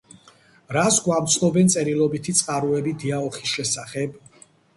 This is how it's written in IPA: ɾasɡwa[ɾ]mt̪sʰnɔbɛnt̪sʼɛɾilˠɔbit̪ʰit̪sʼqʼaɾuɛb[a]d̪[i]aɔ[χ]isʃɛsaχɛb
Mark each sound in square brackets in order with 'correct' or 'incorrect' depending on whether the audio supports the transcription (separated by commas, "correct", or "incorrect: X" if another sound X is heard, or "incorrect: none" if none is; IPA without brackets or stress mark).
incorrect: none, incorrect: i, correct, correct